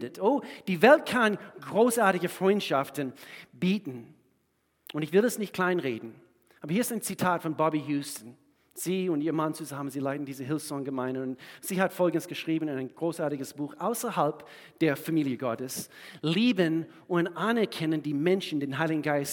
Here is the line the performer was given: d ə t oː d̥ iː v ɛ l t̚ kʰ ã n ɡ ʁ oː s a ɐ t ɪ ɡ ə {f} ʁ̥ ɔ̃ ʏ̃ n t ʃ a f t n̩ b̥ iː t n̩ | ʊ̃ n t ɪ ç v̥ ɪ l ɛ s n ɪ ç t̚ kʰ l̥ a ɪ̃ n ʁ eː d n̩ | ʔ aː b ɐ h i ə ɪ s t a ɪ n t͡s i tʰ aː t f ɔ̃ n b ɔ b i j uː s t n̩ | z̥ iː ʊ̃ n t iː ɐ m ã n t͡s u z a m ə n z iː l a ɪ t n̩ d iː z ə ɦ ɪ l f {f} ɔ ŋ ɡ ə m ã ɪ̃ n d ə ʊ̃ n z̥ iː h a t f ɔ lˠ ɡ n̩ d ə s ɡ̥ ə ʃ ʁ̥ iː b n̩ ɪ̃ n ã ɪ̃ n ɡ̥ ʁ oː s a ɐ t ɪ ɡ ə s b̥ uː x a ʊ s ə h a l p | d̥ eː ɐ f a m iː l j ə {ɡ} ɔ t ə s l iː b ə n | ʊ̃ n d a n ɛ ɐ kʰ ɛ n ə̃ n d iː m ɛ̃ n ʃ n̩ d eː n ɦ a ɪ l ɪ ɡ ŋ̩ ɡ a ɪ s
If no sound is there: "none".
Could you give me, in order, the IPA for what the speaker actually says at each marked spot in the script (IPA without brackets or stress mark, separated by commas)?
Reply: f, s, ɡ